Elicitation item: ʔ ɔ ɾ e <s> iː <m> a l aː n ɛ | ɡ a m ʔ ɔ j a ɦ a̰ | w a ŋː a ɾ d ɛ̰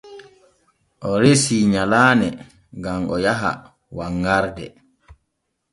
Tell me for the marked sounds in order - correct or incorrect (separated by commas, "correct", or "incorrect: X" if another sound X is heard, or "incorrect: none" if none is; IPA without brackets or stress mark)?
correct, incorrect: ɲ